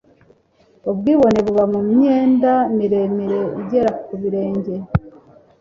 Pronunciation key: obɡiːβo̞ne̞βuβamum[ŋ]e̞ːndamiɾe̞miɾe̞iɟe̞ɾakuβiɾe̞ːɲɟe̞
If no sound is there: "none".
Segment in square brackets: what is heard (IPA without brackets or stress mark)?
ɲ